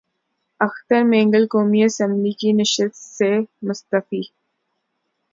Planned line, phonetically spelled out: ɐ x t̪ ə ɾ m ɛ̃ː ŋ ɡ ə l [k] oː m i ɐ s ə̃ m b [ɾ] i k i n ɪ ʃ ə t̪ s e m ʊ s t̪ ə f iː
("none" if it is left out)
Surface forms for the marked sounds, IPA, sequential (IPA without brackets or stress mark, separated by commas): k, l